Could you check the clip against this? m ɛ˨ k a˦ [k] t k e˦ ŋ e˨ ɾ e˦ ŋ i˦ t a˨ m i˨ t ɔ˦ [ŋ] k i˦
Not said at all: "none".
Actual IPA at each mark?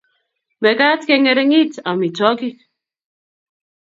none, none

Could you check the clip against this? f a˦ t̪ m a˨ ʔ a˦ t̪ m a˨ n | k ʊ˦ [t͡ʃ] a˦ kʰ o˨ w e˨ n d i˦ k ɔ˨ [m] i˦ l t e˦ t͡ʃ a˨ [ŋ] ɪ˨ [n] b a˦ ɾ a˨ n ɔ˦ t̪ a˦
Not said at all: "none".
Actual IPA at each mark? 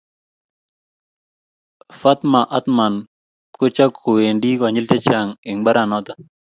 t͡ʃ, ɲ, ŋ, ŋ

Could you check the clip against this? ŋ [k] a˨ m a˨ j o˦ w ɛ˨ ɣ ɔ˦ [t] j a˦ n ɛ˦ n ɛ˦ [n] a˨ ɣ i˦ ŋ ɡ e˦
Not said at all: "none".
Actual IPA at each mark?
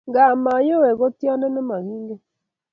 ɡ, t, m

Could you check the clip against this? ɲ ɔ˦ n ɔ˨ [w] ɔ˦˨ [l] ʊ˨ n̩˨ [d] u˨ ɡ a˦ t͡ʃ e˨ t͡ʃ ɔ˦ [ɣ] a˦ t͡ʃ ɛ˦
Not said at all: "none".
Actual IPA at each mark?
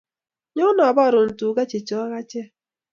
b, ɾ, t, ɣ

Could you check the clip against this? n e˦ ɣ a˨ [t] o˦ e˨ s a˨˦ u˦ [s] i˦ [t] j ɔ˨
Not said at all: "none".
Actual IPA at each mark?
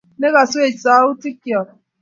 s, t, k

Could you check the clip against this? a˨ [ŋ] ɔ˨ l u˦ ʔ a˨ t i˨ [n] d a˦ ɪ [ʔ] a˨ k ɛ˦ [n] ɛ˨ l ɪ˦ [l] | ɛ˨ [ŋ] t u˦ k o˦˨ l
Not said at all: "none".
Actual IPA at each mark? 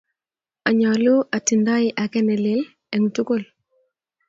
ɲ, n, ʔ, n, l, ŋ

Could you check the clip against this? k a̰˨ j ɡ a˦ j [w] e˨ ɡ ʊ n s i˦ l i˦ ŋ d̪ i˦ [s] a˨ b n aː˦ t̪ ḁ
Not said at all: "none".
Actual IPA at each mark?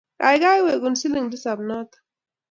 w, s

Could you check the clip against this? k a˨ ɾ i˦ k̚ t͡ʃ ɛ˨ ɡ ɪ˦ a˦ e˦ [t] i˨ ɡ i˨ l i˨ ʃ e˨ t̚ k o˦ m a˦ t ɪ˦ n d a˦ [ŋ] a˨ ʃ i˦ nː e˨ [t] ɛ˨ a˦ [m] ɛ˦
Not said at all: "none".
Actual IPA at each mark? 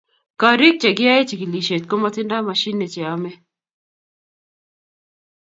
t͡ʃ, m, t͡ʃ, m

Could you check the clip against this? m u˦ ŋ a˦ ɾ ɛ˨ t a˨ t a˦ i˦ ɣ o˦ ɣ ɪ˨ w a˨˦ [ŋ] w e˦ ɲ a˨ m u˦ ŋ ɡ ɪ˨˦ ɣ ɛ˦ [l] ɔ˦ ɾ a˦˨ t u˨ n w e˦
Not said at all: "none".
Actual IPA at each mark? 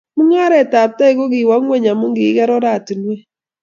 ŋ, ɾ

